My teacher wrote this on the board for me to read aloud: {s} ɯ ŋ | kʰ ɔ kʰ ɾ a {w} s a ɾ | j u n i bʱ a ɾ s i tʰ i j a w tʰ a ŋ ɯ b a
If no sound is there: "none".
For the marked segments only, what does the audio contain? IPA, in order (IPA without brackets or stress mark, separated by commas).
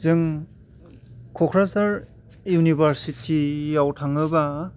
z, none